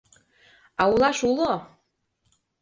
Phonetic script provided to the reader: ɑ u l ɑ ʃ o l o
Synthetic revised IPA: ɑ u l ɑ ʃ u l o